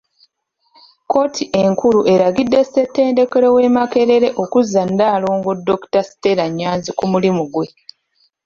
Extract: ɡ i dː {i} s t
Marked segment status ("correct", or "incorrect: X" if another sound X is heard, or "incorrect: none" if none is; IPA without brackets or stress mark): incorrect: e